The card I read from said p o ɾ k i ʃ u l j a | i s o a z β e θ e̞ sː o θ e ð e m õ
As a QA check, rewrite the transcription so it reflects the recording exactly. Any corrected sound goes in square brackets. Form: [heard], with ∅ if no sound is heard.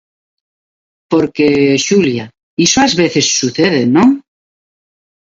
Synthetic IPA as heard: p o ɾ k [e] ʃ u l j a | i s o a z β e θ e̞ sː [u] θ e ð e [n] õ